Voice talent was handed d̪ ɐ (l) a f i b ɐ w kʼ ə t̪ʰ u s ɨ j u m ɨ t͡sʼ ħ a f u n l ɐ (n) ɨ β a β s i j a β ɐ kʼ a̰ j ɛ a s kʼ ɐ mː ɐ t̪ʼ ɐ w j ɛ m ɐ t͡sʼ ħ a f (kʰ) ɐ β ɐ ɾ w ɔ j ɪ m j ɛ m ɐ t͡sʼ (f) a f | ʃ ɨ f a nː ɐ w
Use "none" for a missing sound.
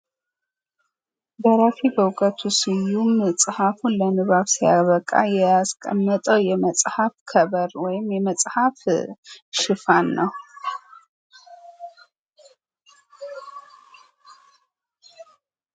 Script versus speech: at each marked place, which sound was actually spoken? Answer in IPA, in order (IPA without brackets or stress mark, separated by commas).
ɾ, n, kʰ, ħ